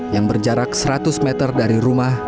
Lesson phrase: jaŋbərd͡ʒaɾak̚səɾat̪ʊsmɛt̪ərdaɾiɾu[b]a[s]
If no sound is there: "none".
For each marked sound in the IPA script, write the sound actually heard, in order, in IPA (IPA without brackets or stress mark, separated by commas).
m, h